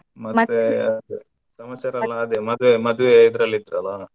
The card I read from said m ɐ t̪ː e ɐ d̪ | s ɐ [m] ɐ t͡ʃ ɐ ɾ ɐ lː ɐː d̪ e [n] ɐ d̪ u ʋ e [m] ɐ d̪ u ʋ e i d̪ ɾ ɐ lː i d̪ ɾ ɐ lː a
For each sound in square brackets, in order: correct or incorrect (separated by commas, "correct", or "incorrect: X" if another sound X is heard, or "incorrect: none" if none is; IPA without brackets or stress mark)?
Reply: correct, incorrect: m, correct